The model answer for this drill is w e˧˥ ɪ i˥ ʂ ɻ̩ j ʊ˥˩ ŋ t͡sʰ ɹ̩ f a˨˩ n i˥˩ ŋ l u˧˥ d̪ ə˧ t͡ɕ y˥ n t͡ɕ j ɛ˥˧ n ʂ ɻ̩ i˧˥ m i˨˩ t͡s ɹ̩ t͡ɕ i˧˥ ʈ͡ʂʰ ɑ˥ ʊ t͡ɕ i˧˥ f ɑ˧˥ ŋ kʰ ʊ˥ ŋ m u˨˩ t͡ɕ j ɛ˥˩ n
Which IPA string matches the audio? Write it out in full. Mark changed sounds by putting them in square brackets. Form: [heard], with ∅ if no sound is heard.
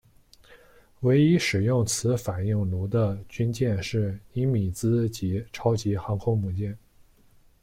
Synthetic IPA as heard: w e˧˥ ɪ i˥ ʂ ɻ̩ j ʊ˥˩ ŋ t͡sʰ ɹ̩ f a˨˩ n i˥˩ ŋ l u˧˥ d̪ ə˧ t͡ɕ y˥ n t͡ɕ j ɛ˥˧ n ʂ ɻ̩ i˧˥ m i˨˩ t͡s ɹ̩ t͡ɕ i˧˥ ʈ͡ʂʰ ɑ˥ ʊ t͡ɕ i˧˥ [x] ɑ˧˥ ŋ kʰ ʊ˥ ŋ m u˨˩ t͡ɕ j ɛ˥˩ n